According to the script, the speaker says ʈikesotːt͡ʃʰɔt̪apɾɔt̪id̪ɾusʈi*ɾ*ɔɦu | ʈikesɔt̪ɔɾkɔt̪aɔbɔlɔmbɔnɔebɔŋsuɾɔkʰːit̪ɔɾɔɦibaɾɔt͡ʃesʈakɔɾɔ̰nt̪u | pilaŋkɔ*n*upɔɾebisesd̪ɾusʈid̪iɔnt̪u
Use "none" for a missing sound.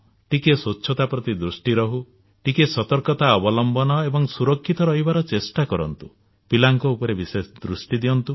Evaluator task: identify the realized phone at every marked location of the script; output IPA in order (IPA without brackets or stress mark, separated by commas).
ɾ, none